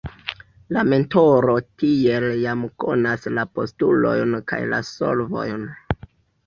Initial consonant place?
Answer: alveolar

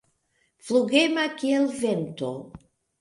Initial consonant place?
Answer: labial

